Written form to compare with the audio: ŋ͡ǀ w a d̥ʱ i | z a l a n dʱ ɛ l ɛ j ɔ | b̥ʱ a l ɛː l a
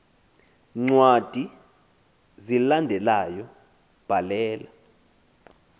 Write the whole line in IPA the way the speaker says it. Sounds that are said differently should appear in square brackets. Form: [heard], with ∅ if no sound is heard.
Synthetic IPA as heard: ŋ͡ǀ w a d̥ʱ i | z [i] l a n dʱ ɛ l [a] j ɔ | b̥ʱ a l ɛː l a